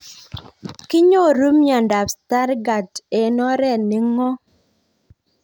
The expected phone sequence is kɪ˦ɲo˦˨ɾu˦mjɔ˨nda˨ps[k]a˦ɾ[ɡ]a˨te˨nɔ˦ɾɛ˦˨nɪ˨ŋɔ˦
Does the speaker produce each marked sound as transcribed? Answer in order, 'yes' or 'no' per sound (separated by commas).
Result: no, yes